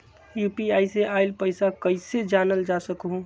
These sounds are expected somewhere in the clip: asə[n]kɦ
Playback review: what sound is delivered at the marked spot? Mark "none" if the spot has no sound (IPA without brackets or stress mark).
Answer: none